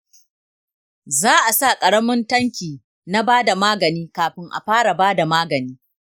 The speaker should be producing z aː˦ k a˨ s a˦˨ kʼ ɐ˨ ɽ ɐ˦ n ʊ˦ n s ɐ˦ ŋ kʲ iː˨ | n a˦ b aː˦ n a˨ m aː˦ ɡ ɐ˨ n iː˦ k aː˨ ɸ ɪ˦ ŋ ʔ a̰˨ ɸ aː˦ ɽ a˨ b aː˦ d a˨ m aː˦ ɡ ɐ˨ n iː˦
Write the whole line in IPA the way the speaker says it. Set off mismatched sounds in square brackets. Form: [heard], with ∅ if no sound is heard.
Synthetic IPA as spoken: z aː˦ [ʔ] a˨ s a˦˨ kʼ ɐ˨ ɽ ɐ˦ [m] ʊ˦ n [t] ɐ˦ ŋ kʲ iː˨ | n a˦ b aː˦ [d] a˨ m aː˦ ɡ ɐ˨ n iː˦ k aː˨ ɸ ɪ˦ ŋ ʔ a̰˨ ɸ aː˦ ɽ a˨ b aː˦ d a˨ m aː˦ ɡ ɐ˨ n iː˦